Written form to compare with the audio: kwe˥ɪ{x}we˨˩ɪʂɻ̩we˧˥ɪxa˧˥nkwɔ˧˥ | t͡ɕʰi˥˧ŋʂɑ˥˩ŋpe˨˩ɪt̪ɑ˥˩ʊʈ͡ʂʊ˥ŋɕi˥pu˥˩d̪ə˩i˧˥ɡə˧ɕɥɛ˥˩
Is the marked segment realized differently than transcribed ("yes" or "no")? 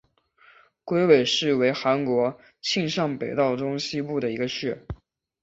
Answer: yes